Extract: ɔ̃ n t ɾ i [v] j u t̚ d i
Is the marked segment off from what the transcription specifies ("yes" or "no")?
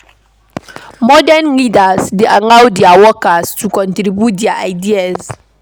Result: yes